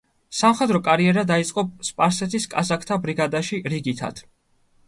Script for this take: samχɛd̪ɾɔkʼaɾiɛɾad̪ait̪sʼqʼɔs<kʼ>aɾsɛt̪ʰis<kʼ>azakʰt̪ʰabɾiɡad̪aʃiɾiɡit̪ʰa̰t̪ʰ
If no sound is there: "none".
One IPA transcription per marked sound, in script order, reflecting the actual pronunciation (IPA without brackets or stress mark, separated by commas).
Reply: pʼ, kʼ